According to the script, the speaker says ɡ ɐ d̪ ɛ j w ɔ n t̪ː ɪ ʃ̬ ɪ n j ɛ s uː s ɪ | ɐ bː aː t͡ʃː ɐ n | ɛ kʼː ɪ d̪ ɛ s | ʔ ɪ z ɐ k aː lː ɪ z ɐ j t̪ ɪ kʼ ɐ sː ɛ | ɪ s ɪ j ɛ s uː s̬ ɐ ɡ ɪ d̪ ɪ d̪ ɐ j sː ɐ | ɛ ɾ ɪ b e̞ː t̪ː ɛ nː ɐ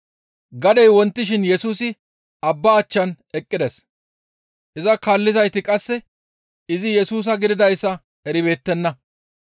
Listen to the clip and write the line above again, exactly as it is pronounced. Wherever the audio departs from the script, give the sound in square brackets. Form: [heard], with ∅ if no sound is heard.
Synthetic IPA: ɡ ɐ d̪ ɛ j w ɔ n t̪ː ɪ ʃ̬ ɪ n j ɛ s uː s ɪ | ɐ bː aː t͡ʃː ɐ n | ɛ kʼː ɪ d̪ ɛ s | ʔ ɪ z ɐ k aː lː ɪ z ɐ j t̪ ɪ kʼ ɐ sː ɛ | ɪ [z] ɪ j ɛ s uː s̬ ɐ ɡ ɪ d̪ ɪ d̪ ɐ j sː ɐ | ɛ ɾ ɪ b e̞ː t̪ː ɛ nː ɐ